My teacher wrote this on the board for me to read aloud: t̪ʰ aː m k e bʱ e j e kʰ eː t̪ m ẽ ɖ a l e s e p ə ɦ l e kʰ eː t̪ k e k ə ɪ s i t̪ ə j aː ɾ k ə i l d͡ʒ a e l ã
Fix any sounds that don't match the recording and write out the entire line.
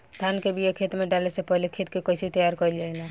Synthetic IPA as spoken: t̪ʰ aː n k e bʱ i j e kʰ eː t̪ m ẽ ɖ a l e s e p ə ɦ l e kʰ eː t̪ k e k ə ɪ s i t̪ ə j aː ɾ k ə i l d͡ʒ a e l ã